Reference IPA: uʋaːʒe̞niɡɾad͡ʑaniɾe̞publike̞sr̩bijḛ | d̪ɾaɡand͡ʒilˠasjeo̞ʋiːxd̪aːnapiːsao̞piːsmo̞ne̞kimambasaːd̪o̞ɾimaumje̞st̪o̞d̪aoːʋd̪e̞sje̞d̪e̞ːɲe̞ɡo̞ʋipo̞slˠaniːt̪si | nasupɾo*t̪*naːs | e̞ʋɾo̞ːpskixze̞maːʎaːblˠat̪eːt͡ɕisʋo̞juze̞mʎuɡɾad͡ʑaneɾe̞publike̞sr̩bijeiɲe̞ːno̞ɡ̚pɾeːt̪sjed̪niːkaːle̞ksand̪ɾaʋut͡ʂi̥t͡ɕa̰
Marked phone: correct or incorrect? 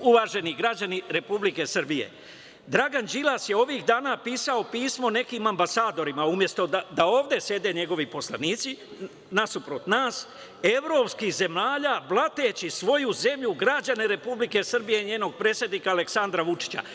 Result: correct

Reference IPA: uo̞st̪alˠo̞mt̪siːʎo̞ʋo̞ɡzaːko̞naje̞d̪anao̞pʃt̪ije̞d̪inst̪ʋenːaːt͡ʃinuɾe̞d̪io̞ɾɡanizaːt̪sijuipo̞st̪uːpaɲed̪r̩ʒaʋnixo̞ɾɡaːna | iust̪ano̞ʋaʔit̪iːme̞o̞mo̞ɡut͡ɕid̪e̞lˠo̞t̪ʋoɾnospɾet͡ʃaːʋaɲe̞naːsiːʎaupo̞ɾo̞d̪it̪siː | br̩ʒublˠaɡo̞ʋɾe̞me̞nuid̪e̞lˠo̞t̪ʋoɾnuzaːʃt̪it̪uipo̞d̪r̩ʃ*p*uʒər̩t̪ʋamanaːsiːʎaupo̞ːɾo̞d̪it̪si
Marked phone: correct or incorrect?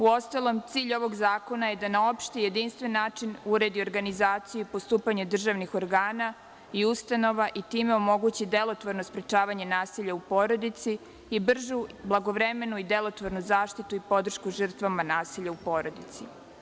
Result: incorrect: k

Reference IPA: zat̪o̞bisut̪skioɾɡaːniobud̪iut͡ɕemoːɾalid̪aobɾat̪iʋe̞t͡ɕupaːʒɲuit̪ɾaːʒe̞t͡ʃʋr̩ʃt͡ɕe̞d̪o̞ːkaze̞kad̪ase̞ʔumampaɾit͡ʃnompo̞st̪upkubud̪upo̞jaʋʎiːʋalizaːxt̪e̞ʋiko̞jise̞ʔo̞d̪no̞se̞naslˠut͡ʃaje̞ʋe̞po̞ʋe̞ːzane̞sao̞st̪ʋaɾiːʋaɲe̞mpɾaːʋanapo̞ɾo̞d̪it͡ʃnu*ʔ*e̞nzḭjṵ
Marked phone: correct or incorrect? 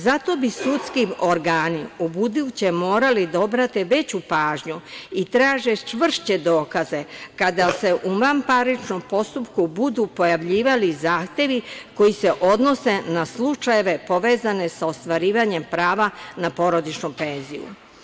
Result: incorrect: p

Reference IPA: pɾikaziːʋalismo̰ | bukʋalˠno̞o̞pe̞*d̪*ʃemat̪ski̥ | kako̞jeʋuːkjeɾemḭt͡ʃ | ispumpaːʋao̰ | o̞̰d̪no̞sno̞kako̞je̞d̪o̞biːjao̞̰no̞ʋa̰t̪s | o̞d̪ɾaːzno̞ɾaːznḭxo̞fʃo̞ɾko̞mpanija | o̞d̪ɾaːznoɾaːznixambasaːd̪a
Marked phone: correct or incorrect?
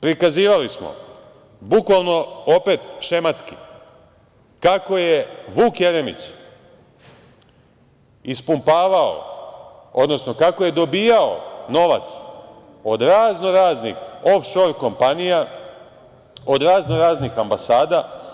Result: incorrect: t̪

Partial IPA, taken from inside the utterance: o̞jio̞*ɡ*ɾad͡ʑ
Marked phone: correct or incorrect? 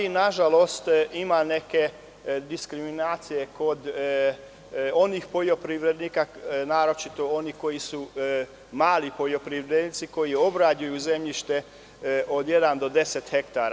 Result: incorrect: b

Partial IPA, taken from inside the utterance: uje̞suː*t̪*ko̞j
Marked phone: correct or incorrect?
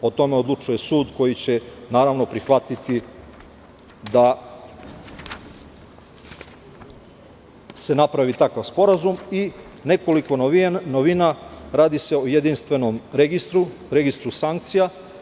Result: incorrect: d̪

